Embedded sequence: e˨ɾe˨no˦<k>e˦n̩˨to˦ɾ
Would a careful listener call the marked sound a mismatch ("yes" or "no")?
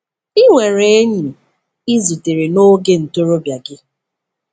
yes